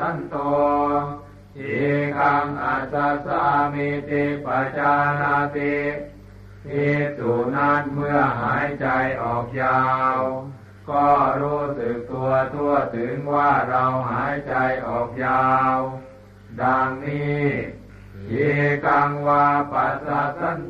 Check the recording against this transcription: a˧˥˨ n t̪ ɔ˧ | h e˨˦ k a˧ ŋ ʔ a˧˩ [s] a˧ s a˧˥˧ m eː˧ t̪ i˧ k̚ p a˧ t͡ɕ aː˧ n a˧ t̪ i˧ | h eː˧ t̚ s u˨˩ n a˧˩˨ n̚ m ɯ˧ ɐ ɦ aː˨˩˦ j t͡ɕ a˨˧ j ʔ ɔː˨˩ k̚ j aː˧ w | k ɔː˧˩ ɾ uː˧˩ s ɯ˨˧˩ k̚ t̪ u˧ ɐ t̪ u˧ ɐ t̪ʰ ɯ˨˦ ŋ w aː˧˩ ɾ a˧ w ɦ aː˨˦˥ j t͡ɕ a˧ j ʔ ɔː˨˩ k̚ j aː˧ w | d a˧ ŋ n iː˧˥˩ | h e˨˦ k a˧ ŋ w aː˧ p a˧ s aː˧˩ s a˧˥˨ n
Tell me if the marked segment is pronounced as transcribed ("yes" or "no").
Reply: yes